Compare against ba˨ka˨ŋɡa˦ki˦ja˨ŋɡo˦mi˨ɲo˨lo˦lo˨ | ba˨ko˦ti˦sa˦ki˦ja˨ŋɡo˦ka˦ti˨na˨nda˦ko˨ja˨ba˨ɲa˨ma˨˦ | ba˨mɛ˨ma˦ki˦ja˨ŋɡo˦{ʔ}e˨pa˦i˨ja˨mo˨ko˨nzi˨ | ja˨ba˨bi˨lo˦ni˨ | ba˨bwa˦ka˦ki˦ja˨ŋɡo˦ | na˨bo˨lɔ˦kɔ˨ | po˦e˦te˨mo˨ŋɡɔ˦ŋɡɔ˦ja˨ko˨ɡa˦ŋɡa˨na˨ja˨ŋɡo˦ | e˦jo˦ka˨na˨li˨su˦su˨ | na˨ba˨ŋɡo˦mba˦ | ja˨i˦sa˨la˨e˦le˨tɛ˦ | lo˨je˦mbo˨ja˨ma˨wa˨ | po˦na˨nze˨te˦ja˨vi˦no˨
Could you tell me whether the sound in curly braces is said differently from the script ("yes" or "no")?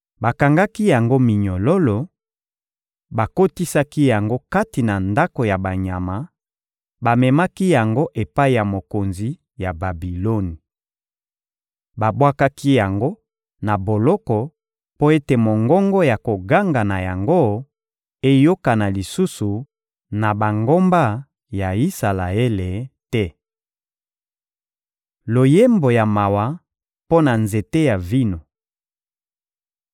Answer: no